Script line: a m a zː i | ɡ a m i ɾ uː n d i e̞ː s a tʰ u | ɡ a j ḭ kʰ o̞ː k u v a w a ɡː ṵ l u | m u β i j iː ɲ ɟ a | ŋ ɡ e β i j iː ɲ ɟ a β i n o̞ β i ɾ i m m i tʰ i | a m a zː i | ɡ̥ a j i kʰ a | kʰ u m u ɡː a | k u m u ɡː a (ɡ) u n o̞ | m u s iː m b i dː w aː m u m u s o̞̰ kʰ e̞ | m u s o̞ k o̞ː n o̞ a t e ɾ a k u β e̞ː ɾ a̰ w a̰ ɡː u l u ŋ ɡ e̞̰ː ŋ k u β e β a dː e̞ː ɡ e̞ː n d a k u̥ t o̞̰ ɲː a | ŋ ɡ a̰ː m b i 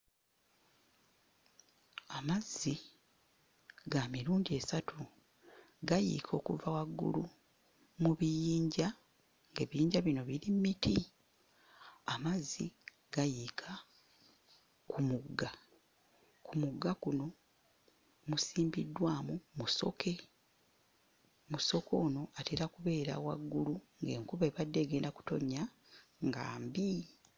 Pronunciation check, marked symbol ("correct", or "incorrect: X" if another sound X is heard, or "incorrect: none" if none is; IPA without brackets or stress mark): incorrect: k